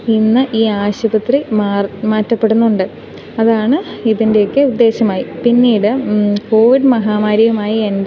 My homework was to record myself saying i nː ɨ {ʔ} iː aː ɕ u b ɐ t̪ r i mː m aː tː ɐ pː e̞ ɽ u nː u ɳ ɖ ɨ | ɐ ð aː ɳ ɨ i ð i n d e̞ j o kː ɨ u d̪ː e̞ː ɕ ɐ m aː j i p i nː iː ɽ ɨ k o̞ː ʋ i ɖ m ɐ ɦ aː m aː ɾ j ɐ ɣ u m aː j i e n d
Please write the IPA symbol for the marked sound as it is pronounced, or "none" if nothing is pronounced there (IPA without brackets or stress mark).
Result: ʔ